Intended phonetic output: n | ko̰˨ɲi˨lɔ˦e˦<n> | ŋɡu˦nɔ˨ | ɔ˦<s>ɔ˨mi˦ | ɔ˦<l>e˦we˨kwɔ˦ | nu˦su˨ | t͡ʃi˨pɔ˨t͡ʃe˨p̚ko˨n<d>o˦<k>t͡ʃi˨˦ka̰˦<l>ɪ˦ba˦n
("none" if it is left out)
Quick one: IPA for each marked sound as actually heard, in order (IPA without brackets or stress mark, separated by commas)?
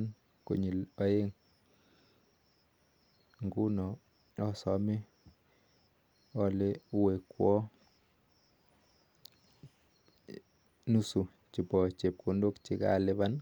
ŋ, s, l, d, k, l